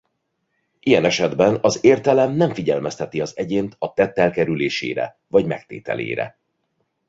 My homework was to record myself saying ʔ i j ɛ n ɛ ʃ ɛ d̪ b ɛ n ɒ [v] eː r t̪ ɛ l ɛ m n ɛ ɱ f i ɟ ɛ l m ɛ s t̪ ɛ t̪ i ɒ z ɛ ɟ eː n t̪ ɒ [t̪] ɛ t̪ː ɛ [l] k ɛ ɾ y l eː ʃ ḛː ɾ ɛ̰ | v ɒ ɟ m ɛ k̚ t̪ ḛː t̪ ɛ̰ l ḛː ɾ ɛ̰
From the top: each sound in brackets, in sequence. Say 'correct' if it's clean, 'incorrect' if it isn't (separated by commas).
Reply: incorrect, correct, correct